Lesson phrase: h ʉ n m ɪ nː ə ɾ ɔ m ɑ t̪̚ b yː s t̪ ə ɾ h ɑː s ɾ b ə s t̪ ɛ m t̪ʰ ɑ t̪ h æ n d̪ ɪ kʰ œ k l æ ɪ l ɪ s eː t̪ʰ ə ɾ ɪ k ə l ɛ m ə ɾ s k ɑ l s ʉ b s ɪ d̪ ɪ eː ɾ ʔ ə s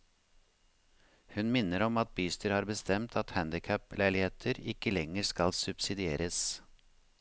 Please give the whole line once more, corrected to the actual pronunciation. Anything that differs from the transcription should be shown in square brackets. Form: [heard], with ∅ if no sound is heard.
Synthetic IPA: h ʉ n m ɪ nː ə ɾ ɔ m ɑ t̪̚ b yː s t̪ ə ɾ h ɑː [∅] ɾ b ə s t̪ ɛ m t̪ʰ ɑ t̪ h æ n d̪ ɪ kʰ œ [p] l æ ɪ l ɪ [h] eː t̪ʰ ə ɾ ɪ k ə l ɛ [ŋ] ə ɾ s k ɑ l s ʉ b s ɪ d̪ ɪ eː ɾ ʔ ə s